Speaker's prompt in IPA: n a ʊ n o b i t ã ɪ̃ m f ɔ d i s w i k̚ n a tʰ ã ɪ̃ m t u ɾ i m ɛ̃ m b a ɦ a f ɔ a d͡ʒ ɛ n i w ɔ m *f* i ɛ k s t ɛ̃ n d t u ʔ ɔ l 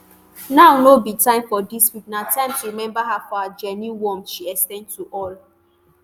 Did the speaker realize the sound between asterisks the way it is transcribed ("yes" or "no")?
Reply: no